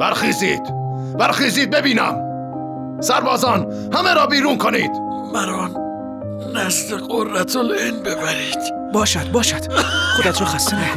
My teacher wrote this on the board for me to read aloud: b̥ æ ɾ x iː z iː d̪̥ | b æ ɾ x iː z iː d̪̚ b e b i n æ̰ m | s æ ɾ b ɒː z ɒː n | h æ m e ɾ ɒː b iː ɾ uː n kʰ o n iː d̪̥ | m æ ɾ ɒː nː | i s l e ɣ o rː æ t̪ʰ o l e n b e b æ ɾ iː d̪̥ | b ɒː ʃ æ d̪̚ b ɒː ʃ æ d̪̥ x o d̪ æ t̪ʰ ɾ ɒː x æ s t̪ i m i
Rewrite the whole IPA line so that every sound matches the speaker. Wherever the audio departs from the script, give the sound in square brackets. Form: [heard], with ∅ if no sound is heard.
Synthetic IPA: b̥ æ ɾ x iː z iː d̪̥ | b æ ɾ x iː z iː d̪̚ b e b [iː] n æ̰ m | s æ ɾ b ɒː z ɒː n | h æ m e ɾ ɒː b iː ɾ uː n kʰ o n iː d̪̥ | m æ ɾ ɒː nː | [æ] s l e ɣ o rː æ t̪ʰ o l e n b e b æ ɾ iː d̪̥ | b ɒː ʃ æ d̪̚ b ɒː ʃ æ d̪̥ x o d̪ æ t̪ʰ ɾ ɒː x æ s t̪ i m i